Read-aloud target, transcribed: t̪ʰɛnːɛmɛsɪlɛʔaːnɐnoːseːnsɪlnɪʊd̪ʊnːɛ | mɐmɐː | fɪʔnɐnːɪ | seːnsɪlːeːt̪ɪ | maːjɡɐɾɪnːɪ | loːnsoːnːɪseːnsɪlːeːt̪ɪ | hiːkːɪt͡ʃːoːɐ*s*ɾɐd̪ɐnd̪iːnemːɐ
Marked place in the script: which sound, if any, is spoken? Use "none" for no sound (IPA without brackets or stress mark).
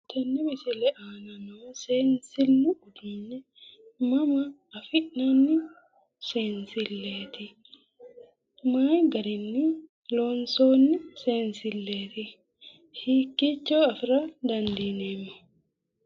f